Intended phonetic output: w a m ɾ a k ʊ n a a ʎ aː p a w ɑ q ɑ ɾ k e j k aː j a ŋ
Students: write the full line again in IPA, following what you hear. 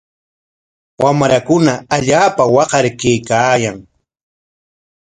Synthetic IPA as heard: w a m ɾ a k ʊ n a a ʎ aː p a w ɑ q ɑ ɾ k e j k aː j a ŋ